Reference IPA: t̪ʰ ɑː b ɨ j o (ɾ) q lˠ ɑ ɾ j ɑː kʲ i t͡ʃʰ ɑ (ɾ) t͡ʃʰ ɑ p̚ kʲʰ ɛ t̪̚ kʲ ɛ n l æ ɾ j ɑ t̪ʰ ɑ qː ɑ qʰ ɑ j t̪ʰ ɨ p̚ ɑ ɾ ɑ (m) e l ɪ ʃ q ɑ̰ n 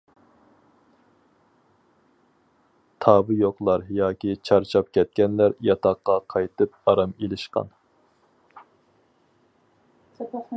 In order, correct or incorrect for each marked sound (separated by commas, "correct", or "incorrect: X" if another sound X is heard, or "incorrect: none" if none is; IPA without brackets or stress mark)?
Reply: incorrect: none, correct, correct